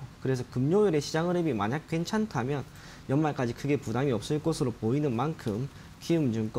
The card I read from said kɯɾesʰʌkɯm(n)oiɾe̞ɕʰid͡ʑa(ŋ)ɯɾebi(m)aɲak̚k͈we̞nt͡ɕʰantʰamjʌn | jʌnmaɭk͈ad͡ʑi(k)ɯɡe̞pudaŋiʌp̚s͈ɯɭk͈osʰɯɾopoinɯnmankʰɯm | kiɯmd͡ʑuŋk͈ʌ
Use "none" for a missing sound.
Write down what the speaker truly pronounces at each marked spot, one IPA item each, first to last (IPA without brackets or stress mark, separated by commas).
ɲ, ŋ, m, kʰ